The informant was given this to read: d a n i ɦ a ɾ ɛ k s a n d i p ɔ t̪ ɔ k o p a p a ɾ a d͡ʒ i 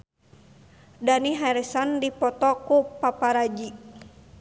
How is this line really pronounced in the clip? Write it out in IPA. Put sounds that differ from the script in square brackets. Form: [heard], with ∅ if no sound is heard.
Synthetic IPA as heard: d a n i ɦ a ɾ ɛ [∅] s a n d i p ɔ t̪ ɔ k [u] p a p a ɾ a d͡ʒ i